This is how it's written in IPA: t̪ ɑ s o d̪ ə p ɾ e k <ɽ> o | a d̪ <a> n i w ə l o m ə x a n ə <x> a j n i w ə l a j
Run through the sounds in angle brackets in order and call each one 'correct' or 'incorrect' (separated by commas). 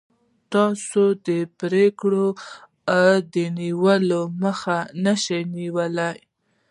correct, incorrect, incorrect